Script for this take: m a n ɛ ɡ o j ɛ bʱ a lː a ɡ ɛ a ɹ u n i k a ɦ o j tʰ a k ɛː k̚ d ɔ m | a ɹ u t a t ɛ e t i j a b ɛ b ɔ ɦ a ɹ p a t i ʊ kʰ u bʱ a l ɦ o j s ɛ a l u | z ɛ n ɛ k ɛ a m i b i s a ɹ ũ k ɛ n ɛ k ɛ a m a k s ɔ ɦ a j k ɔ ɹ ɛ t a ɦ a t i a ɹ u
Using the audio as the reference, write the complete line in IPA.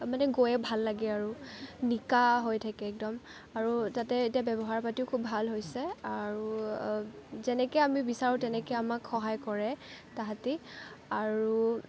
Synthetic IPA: m a n ɛ ɡ o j ɛ bʱ a lː a ɡ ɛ a ɹ u n i k a ɦ o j tʰ a k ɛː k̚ d ɔ m | a ɹ u t a t ɛ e t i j a b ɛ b ɔ ɦ a ɹ p a t i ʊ kʰ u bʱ a l ɦ o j s ɛ a ɹ u | z ɛ n ɛ k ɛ a m i b i s a ɹ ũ t ɛ n ɛ k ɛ a m a k x ɔ ɦ a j k ɔ ɹ ɛ t a ɦ a t i a ɹ u

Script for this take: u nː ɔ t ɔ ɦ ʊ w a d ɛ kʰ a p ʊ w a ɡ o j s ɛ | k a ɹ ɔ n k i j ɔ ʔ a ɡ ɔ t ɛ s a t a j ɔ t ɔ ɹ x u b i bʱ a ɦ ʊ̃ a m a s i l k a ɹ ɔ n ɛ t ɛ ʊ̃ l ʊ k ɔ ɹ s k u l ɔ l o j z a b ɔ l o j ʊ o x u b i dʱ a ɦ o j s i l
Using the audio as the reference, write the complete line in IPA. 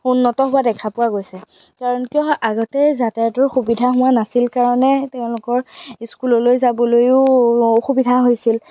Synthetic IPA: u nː ɔ t ɔ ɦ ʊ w a d ɛ kʰ a p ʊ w a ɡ o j s ɛ | k a ɹ ɔ n k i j ɔ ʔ a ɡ ɔ t ɛ z a t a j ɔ t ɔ ɹ x u b i dʱ a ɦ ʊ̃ a n a s i l k a ɹ ɔ n ɛ t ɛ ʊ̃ l ʊ k ɔ ɹ s k u l ɔ l o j z a b ɔ l o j ʊ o x u b i dʱ a ɦ o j s i l

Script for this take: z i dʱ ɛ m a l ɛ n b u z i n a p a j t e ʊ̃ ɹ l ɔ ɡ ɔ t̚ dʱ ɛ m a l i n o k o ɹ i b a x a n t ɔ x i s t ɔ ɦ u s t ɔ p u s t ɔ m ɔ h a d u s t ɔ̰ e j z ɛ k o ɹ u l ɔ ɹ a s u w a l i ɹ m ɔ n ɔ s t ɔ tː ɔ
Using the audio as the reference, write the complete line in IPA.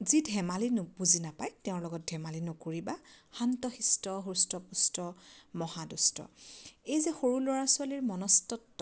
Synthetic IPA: z i dʱ ɛ m a l i n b u z i n a p a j t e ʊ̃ ɹ l ɔ ɡ ɔ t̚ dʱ ɛ m a l i n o k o ɹ i b a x a n t ɔ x i s t ɔ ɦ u s t ɔ p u s t ɔ m ɔ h a d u s t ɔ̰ e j z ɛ x o ɹ u l ɔ ɹ a s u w a l i ɹ m ɔ n ɔ s t ɔ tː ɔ

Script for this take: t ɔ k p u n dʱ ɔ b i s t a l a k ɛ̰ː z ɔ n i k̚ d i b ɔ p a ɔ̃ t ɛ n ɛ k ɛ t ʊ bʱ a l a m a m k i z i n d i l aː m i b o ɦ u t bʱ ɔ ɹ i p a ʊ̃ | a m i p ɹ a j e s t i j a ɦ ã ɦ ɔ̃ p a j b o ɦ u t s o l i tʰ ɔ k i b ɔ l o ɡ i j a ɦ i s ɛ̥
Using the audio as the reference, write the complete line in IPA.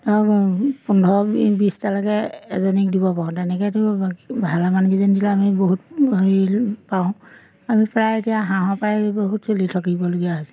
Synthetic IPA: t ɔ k p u n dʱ ɔ b i s t a l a k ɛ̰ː z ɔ n i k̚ d i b ɔ p a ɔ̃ t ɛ n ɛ k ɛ t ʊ bʱ a l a m a n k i z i n d i l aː m i b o ɦ u t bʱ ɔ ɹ i p a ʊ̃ | a m i p ɹ a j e t i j a ɦ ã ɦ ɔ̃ p a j b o ɦ u t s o l i tʰ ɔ k i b ɔ l o ɡ i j a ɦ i s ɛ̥

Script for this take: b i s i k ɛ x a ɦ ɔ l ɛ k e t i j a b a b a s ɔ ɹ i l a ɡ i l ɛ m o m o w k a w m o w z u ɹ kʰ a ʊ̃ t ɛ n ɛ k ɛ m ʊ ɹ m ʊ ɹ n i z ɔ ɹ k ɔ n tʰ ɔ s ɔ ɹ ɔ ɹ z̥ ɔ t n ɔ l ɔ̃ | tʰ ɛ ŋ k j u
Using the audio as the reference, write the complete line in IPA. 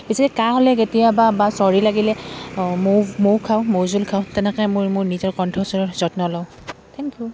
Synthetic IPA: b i s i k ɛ k a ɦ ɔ l ɛ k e t i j a b a b a s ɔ ɹ i l a ɡ i l ɛ m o m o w kʰ a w m o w z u l kʰ a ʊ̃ t ɛ n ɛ k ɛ m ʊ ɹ m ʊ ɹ n i z ɔ ɹ k ɔ n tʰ ɔ s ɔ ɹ ɔ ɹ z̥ ɔ t n ɔ l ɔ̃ | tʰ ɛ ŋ k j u

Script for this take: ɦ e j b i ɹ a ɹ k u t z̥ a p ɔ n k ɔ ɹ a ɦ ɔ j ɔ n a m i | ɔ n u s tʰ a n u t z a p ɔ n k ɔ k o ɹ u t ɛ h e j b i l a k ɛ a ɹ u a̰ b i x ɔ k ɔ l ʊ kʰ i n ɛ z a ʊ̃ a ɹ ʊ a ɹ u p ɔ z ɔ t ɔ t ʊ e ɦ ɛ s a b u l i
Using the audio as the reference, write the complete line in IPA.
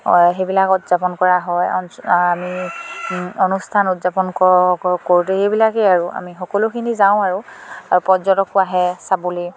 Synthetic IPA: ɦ e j b i l a k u t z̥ a p ɔ n k ɔ ɹ a ɦ ɔ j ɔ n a m i | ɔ n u s tʰ a n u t z a p ɔ n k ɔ k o ɹ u t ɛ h e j b i l a k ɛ a ɹ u a̰ m i x ɔ k ɔ l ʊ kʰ i n i z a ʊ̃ a ɹ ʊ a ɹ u p ɔ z ɔ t ɔ k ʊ a ɦ ɛ s a b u l i

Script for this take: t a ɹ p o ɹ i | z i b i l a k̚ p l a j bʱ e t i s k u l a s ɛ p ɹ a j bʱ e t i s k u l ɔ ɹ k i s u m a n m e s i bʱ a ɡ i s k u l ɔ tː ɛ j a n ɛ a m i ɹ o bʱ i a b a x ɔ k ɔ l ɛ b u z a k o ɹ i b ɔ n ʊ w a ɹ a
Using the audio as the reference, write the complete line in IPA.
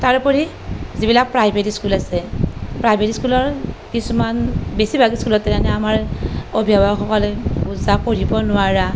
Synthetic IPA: t a ɹ p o ɹ i | z i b i l a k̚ p ɹ a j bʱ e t i s k u l a s ɛ p ɹ a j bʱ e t i s k u l ɔ ɹ k i s u m a n b e s i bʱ a ɡ i s k u l ɔ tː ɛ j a n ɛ a m a ɹ o bʱ i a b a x ɔ k ɔ l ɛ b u z a k o ɹ i b ɔ n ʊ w a ɹ a

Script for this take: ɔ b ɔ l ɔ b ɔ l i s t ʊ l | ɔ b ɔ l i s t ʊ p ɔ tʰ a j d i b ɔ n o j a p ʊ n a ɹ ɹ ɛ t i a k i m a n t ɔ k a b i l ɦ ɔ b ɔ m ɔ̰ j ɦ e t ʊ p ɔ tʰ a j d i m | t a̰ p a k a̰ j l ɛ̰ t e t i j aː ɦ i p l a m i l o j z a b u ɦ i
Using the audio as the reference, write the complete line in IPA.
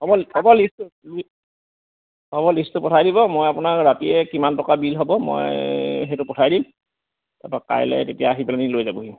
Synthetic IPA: ɔ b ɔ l ɔ b ɔ l i s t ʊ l | ɔ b ɔ l i s t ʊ p ɔ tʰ a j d i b ɔ m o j a p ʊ n a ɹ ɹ a t i ɛ k i m a n t ɔ k a b i l ɦ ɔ b ɔ m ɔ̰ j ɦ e t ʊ p ɔ tʰ a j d i m | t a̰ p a k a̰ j l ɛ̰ t e t i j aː ɦ i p l a n i l o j z a b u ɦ i

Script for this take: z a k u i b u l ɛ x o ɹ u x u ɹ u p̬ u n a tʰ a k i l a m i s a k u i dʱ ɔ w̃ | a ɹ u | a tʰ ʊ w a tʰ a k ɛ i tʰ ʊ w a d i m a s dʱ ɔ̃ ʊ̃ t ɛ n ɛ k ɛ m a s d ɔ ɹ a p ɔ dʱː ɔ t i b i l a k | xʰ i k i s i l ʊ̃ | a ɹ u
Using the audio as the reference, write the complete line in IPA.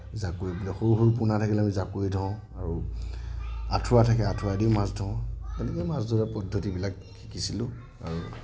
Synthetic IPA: z a k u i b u l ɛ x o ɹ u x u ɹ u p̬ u n a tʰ a k i l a m i z a k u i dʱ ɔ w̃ | a ɹ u | a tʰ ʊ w a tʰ a k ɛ a tʰ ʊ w a d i m a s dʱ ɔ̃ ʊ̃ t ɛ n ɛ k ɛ m a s d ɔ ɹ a p ɔ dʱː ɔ t i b i l a k | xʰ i k i s i l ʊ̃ | a ɹ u

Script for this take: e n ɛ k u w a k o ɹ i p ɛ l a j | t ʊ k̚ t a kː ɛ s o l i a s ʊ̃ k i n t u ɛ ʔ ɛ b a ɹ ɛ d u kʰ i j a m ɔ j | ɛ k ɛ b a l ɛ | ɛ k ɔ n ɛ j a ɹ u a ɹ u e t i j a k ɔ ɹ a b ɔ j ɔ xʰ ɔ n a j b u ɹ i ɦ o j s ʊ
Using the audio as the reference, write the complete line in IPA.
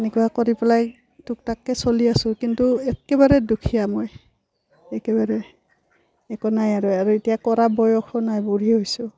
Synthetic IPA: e n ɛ k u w a k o ɹ i p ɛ l a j | t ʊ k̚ t a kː ɛ s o l i a s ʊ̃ k i n t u ɛ k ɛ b a ɹ ɛ d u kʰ i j a m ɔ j | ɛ k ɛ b a ɹ ɛ | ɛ k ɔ n a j a ɹ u a ɹ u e t i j a k ɔ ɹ a b ɔ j ɔ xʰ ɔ n a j b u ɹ i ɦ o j s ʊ

